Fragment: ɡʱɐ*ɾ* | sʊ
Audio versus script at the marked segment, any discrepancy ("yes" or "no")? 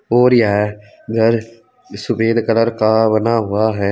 no